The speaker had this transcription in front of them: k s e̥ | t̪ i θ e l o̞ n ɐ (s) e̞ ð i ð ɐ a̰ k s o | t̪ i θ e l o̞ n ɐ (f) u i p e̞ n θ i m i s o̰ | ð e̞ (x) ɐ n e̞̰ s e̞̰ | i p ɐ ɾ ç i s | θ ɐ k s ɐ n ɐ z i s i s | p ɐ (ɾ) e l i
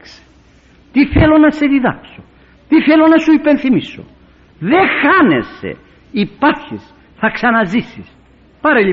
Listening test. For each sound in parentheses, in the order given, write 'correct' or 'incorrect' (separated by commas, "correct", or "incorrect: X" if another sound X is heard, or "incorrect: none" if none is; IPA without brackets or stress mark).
correct, incorrect: s, correct, correct